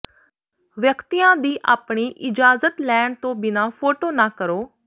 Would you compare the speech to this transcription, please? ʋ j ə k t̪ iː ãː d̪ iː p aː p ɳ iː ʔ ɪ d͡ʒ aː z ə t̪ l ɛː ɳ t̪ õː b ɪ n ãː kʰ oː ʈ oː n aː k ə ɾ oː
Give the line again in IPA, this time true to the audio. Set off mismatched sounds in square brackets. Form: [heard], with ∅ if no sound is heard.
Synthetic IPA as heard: ʋ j ə k t̪ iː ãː d̪ iː [ʔ] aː p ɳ iː ʔ ɪ d͡ʒ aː z ə t̪ l ɛː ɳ t̪ õː b ɪ n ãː [pʰ] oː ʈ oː n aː k ə ɾ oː